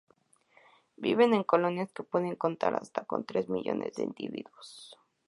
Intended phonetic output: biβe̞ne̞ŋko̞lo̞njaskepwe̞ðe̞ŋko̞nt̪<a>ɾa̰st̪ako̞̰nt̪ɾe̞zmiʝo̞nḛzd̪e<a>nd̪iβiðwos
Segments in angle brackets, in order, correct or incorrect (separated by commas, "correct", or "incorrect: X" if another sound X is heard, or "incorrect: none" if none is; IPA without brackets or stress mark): correct, incorrect: i